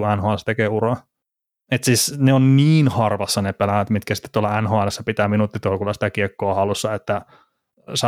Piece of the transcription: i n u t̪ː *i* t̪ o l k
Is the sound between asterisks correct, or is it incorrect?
correct